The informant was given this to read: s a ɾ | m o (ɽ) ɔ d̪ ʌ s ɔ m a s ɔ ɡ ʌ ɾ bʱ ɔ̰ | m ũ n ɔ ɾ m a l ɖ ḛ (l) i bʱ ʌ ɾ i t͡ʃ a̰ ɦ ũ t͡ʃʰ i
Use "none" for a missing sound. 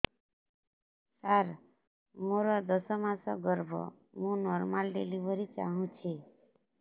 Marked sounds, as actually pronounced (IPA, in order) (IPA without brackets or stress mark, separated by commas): ɾ, l